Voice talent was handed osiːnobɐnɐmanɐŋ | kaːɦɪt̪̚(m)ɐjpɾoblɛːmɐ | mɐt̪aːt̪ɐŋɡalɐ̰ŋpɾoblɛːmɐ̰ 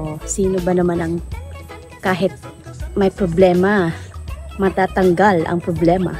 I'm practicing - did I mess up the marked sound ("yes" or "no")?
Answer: no